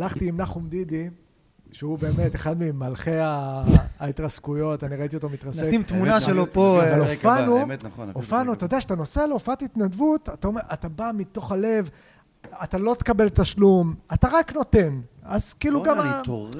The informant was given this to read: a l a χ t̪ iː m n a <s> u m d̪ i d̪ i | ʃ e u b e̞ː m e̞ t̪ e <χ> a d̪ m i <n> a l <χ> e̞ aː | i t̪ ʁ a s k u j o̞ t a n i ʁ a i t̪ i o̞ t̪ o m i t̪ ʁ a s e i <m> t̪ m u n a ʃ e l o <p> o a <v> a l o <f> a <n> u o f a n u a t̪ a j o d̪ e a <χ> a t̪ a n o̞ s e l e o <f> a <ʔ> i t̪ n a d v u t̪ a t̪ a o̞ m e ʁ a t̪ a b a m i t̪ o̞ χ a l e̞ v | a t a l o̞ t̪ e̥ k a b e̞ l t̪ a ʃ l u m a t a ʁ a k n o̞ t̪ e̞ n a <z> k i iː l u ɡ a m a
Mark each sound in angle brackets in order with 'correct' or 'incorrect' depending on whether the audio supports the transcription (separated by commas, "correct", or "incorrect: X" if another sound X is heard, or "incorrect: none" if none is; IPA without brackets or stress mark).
incorrect: χ, correct, incorrect: m, correct, correct, correct, correct, correct, correct, incorrect: ʃ, correct, incorrect: t, correct